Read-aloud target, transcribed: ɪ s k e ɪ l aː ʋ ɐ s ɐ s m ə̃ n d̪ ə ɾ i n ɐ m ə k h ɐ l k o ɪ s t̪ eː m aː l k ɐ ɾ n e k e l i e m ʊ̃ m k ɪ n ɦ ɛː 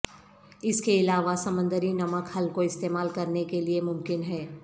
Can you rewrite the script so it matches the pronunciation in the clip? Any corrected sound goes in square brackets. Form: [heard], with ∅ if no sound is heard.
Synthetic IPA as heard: ɪ s k e ɪ l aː ʋ [a] s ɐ [∅] m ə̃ n d̪ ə ɾ i n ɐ m ə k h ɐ l k o ɪ s t̪ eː m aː l k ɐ ɾ n e k e l i e m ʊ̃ m k ɪ n ɦ ɛː

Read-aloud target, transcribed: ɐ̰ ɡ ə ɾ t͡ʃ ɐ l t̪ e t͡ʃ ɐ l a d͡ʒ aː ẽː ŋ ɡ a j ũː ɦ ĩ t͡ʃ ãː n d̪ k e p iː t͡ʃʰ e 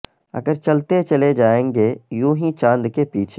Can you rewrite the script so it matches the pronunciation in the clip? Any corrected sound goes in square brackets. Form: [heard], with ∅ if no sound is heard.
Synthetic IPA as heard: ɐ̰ ɡ ə ɾ t͡ʃ ɐ l t̪ e t͡ʃ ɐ l [e] d͡ʒ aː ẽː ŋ ɡ [e] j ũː ɦ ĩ t͡ʃ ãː n d̪ k e p iː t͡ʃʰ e

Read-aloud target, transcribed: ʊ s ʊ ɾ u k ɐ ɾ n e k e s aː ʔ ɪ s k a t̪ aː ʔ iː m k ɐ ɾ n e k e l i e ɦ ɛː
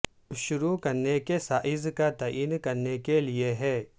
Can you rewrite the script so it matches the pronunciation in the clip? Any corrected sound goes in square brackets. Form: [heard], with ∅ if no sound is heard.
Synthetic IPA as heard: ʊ [ʃ] ʊ ɾ u k ɐ ɾ n e k e s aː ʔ ɪ [z] k a t̪ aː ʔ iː [n] k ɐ ɾ n e k e l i e ɦ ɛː

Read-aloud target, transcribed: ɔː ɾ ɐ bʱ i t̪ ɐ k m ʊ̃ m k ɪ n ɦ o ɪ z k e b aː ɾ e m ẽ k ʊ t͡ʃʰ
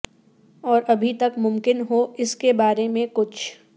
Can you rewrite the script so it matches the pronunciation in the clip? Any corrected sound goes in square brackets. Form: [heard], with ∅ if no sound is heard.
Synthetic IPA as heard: ɔː ɾ ɐ bʱ i t̪ ɐ k m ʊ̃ m k ɪ n ɦ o ɪ [s] k e b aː ɾ e m ẽ k ʊ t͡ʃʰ

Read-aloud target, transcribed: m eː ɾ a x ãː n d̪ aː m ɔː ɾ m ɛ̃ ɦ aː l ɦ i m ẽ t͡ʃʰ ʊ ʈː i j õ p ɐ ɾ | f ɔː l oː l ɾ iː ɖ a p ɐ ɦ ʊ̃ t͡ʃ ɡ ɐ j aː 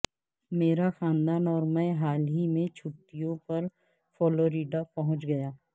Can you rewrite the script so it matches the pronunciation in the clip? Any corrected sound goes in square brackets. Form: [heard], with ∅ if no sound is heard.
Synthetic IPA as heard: m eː ɾ a x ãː n d̪ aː [n] ɔː ɾ m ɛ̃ ɦ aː l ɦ i m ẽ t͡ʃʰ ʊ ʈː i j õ p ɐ ɾ | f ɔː l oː [∅] ɾ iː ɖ a p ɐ ɦ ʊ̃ t͡ʃ ɡ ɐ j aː

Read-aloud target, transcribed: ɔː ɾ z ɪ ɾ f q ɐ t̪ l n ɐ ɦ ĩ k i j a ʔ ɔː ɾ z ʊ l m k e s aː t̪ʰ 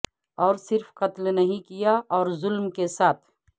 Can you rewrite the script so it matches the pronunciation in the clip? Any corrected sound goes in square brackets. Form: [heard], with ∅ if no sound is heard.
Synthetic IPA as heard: ɔː ɾ [s] ɪ ɾ f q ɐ t̪ l n ɐ ɦ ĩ k i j a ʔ ɔː ɾ z ʊ l m k e s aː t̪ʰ

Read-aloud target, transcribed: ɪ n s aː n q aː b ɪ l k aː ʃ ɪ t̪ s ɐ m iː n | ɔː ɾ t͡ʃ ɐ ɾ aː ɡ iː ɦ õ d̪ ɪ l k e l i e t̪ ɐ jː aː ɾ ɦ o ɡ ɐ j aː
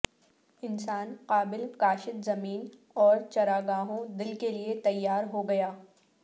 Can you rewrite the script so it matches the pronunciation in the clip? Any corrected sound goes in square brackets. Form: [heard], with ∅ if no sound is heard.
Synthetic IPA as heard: ɪ n s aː n q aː b ɪ l k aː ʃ ɪ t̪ [z] ɐ m iː n | ɔː ɾ t͡ʃ ɐ ɾ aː ɡ [aː] ɦ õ d̪ ɪ l k e l i e t̪ ɐ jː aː ɾ ɦ o ɡ ɐ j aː

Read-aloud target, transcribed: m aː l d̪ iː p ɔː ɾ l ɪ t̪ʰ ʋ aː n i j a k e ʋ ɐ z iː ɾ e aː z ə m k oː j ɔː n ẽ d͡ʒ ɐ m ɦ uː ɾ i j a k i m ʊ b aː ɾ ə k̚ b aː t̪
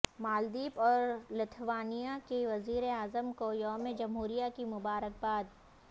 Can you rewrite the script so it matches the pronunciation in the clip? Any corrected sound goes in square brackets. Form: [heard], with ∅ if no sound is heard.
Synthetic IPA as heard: m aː l d̪ iː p ɔː ɾ l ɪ t̪ʰ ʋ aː n i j a k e ʋ ɐ z iː ɾ e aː z ə m k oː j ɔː [m] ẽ d͡ʒ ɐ m ɦ uː ɾ i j a k i m ʊ b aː ɾ ə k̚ b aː [d̪]

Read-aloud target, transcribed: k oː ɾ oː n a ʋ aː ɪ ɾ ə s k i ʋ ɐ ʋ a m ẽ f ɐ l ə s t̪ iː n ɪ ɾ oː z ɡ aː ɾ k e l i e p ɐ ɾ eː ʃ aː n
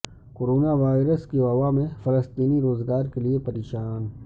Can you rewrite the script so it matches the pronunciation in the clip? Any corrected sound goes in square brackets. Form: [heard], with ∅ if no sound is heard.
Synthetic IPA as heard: k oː ɾ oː n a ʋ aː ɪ ɾ ə s k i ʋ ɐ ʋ a m ẽ f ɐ l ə s t̪ iː n [i] ɾ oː z ɡ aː ɾ k e l i e p ɐ ɾ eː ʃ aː n

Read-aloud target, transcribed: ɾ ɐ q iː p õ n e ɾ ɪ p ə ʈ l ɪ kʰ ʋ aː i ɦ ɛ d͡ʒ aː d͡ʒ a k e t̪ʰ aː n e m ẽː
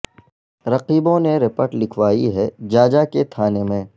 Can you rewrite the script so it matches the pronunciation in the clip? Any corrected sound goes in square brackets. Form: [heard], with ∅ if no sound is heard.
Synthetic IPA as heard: ɾ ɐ q iː [b] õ n e ɾ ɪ p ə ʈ l ɪ kʰ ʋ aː i ɦ ɛ d͡ʒ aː d͡ʒ a k e t̪ʰ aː n e m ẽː

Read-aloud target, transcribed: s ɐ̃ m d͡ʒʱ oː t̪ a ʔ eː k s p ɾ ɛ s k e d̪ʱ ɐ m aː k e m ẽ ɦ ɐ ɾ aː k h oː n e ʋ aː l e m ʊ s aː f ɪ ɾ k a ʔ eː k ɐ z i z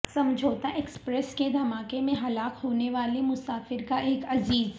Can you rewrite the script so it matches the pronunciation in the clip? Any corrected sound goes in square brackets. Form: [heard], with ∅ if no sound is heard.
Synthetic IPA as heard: s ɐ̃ m d͡ʒʱ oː t̪ a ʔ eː k s p ɾ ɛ s k e d̪ʱ ɐ m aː k e m ẽ ɦ ɐ [l] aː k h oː n e ʋ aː l e m ʊ s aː f ɪ ɾ k a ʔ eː k ɐ z [iː] z

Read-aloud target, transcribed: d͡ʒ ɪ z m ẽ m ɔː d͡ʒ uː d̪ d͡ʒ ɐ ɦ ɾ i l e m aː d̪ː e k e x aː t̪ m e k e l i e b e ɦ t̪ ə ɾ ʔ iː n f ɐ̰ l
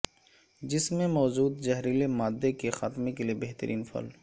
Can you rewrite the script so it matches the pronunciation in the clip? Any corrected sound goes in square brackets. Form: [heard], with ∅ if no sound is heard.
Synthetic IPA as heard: d͡ʒ ɪ [s] m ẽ m ɔː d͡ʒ uː d̪ d͡ʒ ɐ ɦ ɾ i l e m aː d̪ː e k e x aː t̪ m e k e l i e b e ɦ t̪ ə ɾ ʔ iː n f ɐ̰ l

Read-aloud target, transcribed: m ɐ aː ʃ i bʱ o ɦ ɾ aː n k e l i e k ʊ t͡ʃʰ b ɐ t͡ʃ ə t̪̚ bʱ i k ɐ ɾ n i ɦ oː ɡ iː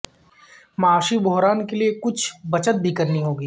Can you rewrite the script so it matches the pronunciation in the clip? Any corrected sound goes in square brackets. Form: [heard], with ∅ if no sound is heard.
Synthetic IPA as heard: m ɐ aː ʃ i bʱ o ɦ ɾ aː n k e l i e k ʊ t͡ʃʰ b ɐ t͡ʃ ə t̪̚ bʱ i k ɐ ɾ n i ɦ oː ɡ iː

